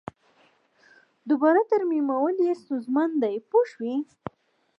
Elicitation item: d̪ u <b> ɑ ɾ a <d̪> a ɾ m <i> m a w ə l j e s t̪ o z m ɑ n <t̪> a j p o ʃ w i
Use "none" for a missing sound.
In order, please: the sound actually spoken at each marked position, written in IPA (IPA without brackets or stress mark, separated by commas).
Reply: b, t̪, i, d̪